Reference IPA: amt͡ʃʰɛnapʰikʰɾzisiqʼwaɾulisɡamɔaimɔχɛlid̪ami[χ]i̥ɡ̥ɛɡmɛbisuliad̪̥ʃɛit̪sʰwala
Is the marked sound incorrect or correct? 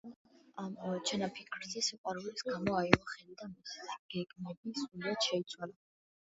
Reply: incorrect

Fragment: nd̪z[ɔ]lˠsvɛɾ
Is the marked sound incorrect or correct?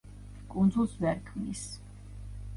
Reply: incorrect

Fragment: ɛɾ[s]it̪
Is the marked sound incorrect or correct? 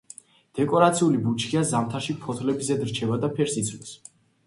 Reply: correct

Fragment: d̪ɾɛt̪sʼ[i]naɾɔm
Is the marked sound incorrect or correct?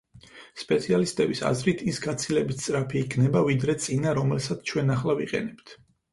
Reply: correct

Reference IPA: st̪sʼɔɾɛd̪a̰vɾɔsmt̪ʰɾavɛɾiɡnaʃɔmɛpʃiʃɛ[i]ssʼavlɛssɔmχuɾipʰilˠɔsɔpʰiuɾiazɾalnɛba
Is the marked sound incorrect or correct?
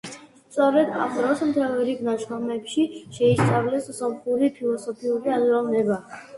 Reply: correct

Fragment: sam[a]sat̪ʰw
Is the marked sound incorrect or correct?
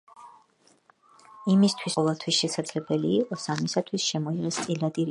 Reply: incorrect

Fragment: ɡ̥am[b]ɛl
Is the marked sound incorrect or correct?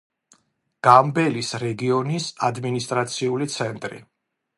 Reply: correct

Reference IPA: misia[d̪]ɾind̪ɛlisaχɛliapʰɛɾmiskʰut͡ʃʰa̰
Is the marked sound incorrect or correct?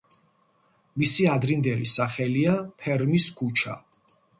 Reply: correct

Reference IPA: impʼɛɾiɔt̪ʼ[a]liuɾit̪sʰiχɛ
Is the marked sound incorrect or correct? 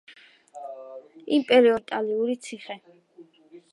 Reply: correct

